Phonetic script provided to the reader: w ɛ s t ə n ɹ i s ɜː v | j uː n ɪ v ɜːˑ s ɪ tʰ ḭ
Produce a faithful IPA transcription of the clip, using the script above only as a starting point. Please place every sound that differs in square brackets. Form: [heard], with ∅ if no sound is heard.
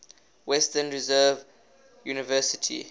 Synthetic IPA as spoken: w ɛ s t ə n ɹ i [z] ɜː v | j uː n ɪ v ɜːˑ s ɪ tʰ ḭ